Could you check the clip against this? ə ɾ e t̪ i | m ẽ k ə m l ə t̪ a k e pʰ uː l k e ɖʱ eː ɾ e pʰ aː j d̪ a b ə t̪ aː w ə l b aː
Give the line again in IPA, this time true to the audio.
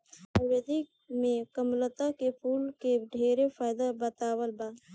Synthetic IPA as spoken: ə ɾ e d̪ i | m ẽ k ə m l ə t̪ a k e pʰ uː l k e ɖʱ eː ɾ e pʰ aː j d̪ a b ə t̪ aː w ə l b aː